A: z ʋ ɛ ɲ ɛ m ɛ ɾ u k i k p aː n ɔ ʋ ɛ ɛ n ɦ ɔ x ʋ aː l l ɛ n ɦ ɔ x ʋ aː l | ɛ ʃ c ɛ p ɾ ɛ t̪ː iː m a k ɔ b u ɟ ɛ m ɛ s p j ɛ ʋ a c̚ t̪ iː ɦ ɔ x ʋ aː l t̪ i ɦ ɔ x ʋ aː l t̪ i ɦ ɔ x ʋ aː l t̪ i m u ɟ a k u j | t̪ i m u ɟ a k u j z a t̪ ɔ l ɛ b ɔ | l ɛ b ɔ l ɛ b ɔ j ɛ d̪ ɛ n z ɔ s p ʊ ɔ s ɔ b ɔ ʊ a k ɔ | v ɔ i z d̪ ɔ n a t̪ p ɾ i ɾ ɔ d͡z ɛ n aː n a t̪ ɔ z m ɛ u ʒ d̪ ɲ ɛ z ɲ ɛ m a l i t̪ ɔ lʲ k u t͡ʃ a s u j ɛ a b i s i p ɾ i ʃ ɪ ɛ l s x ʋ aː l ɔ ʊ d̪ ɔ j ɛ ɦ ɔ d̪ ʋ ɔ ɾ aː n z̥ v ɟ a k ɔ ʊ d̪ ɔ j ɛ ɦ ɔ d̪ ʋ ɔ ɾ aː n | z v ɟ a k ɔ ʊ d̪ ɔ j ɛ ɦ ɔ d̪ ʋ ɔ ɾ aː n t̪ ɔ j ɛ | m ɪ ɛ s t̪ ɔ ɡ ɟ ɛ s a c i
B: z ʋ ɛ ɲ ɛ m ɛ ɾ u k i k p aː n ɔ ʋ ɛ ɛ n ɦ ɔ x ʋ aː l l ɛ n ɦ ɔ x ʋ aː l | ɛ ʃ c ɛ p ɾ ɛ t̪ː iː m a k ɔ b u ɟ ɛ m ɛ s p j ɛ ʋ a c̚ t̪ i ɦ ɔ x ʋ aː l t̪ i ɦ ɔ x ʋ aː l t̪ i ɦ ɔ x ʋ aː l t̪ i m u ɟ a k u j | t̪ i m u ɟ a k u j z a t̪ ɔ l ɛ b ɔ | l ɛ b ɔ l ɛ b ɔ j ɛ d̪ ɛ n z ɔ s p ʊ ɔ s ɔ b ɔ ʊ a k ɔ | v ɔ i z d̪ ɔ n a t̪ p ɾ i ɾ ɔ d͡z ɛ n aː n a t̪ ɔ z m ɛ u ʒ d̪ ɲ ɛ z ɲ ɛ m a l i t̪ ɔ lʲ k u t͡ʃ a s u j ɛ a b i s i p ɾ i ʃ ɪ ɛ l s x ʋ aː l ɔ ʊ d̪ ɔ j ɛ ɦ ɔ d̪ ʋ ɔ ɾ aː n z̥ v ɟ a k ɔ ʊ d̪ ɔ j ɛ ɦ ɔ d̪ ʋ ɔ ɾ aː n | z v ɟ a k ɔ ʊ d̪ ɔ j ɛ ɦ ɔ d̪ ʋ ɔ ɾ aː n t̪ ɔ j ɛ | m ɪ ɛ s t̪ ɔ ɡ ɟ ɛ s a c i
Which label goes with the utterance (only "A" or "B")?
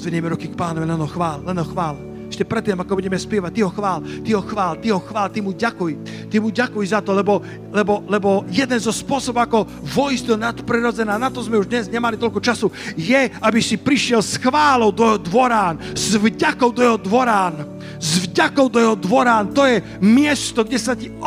B